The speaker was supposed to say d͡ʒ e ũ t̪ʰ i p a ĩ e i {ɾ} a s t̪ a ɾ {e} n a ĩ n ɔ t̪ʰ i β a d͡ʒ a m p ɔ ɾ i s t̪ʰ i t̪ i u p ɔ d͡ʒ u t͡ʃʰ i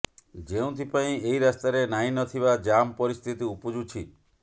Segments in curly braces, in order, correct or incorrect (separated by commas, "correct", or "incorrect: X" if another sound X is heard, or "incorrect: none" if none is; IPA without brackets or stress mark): correct, correct